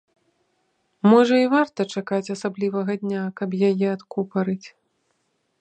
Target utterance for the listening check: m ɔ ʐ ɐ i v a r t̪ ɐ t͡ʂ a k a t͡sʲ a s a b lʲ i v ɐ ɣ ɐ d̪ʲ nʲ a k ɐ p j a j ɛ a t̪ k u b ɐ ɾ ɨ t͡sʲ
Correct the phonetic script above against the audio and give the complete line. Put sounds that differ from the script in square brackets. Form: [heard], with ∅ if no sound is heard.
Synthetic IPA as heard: m ɔ ʐ ɐ i v a r t̪ ɐ t͡ʂ a k a t͡sʲ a s a b lʲ i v ɐ ɣ ɐ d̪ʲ nʲ a k ɐ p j a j ɛ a t̪ k u [p] ɐ ɾ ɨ t͡sʲ